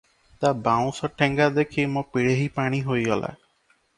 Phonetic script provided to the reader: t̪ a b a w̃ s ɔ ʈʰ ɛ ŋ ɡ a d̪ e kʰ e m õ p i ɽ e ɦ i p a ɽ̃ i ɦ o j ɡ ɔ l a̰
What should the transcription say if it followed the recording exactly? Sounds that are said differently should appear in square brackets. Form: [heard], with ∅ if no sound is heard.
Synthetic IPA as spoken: t̪ a b a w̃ s ɔ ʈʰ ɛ ŋ ɡ a d̪ e kʰ [i] m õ p i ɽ e ɦ i p a ɽ̃ i ɦ o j ɡ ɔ l a̰

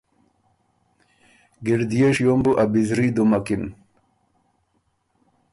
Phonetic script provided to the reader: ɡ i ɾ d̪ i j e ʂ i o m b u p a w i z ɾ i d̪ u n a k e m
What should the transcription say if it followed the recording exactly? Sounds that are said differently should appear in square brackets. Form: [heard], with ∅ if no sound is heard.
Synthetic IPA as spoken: ɡ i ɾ d̪ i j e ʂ [j] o m b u [ʔ] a [b] i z ɾ i d̪ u [m] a k [i] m

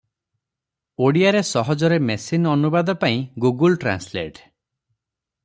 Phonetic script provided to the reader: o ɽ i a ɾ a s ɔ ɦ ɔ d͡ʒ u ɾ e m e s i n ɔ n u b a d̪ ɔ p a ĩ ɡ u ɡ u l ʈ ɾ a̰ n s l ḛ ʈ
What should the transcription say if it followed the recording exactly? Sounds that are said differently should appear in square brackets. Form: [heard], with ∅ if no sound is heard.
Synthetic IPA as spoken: o ɽ i a ɾ [e] s ɔ ɦ ɔ d͡ʒ [ɔ] ɾ e m e s i n ɔ n u b a d̪ ɔ p a ĩ ɡ u ɡ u l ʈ ɾ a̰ n s l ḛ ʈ

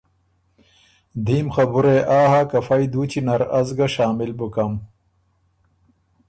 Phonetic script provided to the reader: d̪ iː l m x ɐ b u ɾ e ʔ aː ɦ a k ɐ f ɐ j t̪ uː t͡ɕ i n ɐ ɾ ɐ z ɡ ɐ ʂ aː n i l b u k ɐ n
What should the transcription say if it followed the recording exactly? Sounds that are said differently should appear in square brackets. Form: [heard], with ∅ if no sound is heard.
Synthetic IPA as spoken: d̪ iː [∅] m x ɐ b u ɾ e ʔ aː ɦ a k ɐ f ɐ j [d̪] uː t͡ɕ i n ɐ ɾ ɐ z ɡ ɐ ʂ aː [m] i l b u k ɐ [m]

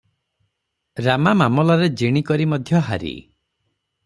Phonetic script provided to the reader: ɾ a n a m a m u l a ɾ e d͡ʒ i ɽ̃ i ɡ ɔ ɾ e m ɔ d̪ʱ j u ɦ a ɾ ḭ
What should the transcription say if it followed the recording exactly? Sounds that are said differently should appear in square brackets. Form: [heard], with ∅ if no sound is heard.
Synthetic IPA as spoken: ɾ a [m] a m a m [ɔ] l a ɾ e d͡ʒ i ɽ̃ i [k] ɔ ɾ [i] m ɔ d̪ʱ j [ɔ] ɦ a ɾ ḭ

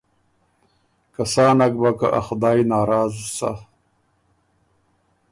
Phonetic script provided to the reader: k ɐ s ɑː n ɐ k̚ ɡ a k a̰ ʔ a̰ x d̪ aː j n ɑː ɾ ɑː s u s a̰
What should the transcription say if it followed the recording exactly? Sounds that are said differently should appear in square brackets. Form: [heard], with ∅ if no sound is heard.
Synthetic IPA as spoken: k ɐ s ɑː n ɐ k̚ [b] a k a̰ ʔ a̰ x d̪ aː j n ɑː ɾ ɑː [z] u s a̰

